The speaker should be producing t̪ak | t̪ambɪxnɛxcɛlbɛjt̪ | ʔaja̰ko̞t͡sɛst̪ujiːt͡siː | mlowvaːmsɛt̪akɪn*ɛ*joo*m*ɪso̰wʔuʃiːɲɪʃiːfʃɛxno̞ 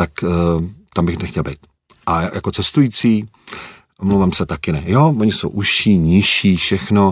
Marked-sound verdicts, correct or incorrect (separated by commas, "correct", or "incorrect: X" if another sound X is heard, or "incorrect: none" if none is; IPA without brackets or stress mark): correct, incorrect: ɲ